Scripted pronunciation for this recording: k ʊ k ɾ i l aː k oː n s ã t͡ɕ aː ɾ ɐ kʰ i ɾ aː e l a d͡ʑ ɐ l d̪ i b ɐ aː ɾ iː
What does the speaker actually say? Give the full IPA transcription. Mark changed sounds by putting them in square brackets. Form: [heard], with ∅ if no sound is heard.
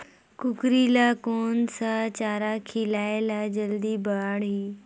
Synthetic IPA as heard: k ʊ k ɾ i l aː k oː n s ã t͡ɕ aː ɾ [a] kʰ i [l] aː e l a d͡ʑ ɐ l d̪ i b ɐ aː [ɽ] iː

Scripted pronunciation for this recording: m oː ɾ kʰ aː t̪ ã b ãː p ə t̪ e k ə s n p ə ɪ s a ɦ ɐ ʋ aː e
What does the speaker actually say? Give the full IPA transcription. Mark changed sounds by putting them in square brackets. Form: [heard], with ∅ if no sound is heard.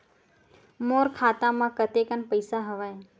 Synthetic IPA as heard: m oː ɾ kʰ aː t̪ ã [m] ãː [k] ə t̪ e k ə [∅] n p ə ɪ s a ɦ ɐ ʋ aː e

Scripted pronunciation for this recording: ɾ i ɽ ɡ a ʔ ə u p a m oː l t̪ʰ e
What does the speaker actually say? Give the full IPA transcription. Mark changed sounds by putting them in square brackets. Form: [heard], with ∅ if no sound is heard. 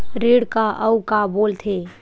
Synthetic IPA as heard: ɾ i ɽ [k] a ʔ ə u [k] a [b] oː l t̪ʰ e

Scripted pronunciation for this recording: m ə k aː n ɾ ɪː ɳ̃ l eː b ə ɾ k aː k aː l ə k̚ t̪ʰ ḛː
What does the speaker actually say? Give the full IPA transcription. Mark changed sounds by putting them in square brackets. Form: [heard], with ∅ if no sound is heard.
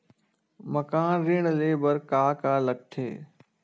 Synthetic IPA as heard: m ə k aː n ɾ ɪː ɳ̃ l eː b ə ɾ k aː k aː l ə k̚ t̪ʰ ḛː

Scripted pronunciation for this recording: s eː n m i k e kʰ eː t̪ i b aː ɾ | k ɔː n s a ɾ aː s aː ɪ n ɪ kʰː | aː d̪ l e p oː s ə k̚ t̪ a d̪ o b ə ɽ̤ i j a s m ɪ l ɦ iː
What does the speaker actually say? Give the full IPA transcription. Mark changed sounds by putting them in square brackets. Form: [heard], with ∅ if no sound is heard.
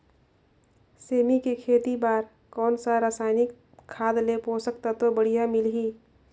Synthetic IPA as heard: s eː [∅] m i k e kʰ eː t̪ i b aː ɾ | k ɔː n s a ɾ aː s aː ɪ n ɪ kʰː | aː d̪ l e p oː s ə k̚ t̪ a [t̪] o b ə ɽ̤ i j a [∅] m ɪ l ɦ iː

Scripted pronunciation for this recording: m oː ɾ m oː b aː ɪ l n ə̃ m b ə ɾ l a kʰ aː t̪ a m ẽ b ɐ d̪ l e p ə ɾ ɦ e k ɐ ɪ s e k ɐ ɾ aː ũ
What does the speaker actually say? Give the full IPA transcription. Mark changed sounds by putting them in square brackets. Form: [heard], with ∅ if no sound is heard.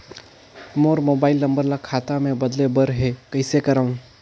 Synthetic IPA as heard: m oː ɾ m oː b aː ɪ l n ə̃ m b ə ɾ l a kʰ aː t̪ a m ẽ b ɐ d̪ l e [b] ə ɾ ɦ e k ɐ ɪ s e k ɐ ɾ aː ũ

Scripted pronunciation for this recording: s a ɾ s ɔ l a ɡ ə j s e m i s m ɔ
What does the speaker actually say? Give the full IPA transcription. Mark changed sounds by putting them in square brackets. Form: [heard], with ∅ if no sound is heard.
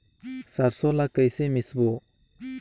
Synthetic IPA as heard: s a ɾ s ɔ l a [k] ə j s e m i s [b] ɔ

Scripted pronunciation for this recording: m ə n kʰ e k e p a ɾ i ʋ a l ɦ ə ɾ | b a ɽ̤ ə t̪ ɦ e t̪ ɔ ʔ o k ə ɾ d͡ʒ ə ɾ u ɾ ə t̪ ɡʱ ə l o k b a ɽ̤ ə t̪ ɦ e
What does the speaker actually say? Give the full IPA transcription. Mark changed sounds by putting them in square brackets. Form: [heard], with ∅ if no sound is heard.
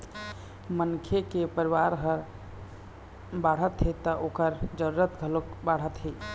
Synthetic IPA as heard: m ə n kʰ e k e p [ə] ɾ i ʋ a [ɾ] ɦ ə ɾ | b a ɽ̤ ə t̪ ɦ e t̪ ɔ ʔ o k ə ɾ d͡ʒ ə ɾ u ɾ ə t̪ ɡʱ ə l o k b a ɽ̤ ə t̪ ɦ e

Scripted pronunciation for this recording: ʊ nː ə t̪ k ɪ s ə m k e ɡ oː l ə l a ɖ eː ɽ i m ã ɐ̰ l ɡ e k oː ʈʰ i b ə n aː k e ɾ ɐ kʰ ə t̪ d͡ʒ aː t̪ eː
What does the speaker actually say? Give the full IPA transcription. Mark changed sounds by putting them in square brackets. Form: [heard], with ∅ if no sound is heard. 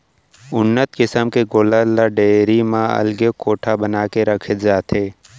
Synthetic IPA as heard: ʊ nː ə t̪ k ɪ s ə m k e ɡ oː l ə l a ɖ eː [ɾ] i m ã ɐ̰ l ɡ e k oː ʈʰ [a] b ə n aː k e ɾ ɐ kʰ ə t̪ d͡ʒ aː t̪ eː

